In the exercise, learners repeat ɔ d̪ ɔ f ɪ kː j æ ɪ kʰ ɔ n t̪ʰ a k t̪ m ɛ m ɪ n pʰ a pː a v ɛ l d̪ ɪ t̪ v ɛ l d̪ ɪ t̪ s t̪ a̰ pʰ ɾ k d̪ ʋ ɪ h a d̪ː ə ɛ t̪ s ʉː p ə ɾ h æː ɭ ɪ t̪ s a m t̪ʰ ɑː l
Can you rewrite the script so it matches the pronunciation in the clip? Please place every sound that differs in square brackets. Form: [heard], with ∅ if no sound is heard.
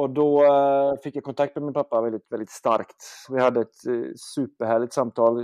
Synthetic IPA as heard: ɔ d̪ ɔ f ɪ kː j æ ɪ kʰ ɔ n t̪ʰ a k t̪ m ɛ m ɪ n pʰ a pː a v ɛ l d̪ ɪ t̪ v ɛ l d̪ ɪ t̪ s t̪ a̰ [∅] ɾ k [t̪] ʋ ɪ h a d̪ː ə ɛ t̪ s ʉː p ə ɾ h æː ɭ ɪ t̪ s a m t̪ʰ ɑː l